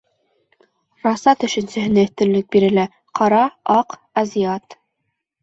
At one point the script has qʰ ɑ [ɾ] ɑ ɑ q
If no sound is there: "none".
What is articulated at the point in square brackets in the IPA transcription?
ɾ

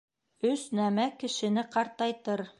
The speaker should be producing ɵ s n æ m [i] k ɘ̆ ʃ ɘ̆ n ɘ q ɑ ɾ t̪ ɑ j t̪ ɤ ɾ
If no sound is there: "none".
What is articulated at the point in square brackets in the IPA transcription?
æ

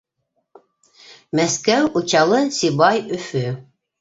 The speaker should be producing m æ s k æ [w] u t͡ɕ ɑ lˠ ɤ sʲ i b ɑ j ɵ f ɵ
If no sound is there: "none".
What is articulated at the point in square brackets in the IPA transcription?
w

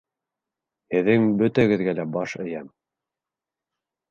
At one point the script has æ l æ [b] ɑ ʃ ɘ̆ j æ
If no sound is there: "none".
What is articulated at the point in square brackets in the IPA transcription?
b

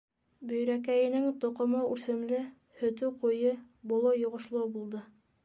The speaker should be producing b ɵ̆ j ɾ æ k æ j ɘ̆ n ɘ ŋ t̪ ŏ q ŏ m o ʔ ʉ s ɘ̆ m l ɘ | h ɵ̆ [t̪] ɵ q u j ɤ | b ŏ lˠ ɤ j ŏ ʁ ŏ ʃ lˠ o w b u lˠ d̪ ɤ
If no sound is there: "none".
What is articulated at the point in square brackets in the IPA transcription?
t̪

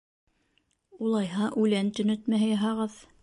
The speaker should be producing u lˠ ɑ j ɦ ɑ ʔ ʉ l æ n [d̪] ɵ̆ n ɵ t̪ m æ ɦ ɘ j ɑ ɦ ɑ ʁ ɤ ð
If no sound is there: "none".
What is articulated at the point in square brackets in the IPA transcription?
t̪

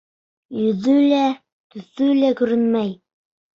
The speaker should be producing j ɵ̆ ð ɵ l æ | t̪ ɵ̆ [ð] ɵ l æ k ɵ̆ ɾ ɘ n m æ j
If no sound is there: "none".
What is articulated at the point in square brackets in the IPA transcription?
θ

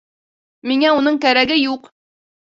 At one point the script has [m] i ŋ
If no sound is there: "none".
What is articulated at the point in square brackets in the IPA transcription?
m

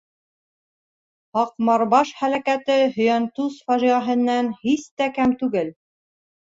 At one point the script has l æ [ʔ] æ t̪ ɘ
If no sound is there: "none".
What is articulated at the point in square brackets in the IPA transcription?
k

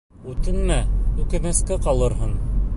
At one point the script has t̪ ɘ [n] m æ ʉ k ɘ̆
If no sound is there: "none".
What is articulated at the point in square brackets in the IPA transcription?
n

